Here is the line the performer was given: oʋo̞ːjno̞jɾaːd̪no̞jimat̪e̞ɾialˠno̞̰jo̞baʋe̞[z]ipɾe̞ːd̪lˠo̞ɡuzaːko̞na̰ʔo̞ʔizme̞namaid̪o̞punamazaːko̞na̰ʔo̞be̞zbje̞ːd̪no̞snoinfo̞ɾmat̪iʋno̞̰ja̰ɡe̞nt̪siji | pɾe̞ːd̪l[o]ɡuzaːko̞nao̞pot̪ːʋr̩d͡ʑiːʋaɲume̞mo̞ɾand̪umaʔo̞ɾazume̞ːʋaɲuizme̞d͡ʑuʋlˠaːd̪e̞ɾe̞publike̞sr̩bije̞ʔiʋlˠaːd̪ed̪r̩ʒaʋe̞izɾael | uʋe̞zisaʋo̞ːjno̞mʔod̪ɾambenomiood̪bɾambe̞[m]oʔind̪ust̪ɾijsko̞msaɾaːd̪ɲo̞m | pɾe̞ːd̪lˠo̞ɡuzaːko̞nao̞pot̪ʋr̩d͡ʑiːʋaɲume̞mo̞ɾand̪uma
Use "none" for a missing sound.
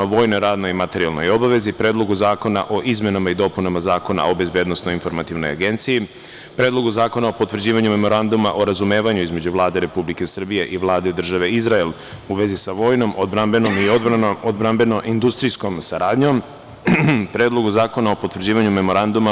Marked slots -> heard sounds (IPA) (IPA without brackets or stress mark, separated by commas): z, o, n